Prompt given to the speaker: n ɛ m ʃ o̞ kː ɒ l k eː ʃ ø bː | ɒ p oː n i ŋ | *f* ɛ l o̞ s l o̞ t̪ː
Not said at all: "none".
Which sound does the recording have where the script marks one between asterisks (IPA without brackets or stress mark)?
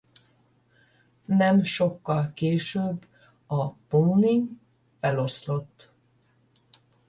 f